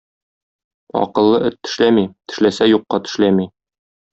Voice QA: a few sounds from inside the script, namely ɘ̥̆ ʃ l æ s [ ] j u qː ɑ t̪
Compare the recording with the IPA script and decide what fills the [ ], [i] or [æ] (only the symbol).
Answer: æ